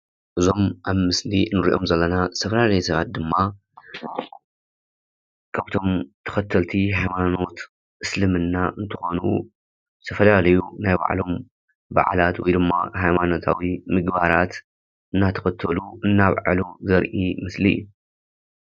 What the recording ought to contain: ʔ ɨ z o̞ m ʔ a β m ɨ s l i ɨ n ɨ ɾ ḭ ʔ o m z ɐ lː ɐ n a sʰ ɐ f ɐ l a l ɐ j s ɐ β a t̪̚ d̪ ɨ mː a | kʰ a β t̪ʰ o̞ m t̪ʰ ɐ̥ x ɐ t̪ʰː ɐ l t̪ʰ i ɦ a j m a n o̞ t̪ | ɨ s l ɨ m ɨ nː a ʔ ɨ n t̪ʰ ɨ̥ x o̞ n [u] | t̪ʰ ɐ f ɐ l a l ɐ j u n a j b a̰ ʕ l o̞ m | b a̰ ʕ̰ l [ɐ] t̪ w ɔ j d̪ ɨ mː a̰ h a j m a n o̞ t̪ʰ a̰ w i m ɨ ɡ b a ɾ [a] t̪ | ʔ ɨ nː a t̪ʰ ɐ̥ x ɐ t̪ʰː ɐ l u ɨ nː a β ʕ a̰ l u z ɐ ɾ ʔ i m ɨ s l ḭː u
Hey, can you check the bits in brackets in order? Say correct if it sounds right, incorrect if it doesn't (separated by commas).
correct, incorrect, correct